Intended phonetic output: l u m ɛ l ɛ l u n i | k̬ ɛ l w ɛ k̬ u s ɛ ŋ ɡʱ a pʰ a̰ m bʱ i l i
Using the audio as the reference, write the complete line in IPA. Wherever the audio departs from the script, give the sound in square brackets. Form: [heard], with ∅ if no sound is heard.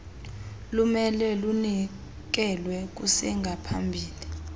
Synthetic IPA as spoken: l u m ɛ l ɛ l u n i | k̬ ɛ l w ɛ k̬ u s ɛ ŋ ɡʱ a pʰ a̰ m bʱ [iː] l i